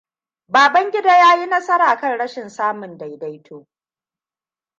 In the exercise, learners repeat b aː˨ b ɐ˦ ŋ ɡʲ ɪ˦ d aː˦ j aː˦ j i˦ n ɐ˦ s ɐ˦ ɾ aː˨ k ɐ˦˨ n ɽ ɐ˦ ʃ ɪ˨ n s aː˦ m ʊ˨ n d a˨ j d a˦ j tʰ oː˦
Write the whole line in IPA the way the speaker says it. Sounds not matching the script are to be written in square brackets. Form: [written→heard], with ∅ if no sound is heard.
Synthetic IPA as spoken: b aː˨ b ɐ˦ ŋ ɡʲ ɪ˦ d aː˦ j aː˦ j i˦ n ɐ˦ s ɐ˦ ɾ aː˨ k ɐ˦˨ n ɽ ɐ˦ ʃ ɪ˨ n s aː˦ m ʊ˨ n d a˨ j d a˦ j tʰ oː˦